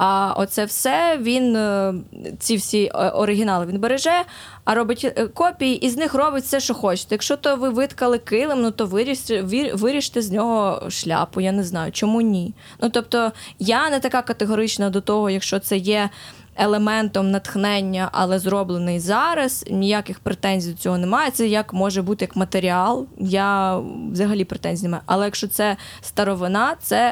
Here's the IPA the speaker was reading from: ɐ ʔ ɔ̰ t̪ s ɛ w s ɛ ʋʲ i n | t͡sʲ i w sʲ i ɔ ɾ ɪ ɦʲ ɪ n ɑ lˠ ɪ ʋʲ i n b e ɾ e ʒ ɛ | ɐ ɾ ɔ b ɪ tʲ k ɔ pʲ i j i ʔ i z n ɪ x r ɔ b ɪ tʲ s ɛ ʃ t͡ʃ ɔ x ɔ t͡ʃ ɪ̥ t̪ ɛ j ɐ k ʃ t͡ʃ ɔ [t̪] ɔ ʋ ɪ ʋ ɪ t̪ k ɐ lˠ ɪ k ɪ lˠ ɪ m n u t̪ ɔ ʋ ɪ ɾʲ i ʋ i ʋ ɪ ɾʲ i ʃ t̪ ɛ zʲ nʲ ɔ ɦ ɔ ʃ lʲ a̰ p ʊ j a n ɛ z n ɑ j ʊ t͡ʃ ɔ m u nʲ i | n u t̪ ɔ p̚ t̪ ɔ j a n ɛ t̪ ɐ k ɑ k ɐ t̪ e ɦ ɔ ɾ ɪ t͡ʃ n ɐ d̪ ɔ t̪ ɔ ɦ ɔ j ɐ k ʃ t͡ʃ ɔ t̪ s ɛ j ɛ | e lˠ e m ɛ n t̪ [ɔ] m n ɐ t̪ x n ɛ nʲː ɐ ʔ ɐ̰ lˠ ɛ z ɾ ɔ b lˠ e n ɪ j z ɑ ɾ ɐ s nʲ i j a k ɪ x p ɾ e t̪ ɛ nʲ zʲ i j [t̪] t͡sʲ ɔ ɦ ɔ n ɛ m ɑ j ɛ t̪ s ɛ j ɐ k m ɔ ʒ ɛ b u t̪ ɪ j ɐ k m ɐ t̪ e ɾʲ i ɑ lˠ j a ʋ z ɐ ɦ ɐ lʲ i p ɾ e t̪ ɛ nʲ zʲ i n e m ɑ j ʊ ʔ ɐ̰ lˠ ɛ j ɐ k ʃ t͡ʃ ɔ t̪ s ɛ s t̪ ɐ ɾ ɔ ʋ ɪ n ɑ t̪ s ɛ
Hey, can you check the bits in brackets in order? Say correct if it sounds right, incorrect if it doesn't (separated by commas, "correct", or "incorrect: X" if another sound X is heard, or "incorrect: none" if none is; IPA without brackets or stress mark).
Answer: correct, correct, incorrect: d̪